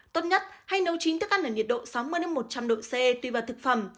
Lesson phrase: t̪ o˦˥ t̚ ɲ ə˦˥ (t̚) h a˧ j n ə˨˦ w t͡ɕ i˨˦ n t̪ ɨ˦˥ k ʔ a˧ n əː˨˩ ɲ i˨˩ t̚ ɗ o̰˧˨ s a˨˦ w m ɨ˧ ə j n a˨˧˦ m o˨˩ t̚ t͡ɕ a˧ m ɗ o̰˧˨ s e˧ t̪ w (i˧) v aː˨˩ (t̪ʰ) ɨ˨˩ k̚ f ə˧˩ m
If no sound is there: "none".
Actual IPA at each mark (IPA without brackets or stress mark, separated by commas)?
t̚, i˧, t̪